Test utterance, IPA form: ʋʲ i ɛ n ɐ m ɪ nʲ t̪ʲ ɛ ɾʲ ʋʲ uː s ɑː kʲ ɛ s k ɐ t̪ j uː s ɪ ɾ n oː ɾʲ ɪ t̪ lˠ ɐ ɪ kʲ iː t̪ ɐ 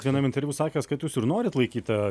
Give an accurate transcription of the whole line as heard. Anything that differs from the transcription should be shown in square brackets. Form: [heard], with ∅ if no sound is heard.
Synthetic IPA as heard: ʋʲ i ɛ n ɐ m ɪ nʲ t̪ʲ ɛ ɾʲ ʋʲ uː s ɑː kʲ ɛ s k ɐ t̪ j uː s ɪ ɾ n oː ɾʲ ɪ t̪ lˠ ɐ ɪ kʲ iː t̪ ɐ